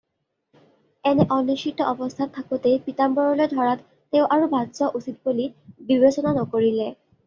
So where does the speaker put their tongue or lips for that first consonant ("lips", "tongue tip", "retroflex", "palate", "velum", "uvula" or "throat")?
tongue tip